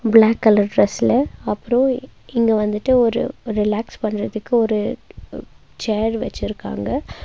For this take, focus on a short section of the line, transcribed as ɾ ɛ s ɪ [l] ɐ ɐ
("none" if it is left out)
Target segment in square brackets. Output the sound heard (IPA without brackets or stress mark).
l